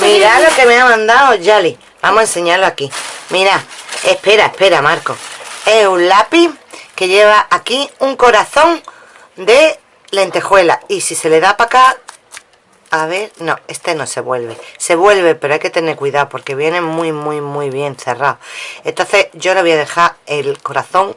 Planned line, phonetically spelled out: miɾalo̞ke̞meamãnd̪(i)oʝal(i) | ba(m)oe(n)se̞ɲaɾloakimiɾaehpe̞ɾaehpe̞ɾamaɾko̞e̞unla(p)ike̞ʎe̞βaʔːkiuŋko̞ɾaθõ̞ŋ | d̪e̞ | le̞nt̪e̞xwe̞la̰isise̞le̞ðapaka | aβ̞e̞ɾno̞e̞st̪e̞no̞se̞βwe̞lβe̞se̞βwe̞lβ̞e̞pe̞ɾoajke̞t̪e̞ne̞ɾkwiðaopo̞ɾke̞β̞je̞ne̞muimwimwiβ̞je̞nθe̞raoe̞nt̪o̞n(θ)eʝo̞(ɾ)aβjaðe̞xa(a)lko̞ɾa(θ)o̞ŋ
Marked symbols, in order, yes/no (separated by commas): no, yes, yes, yes, yes, yes, no, no, yes